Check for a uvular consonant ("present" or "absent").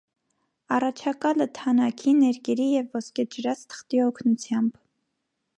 present